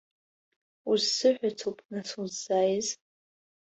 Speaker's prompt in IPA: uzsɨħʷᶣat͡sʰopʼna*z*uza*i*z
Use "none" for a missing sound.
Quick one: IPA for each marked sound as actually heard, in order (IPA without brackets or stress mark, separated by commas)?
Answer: s, j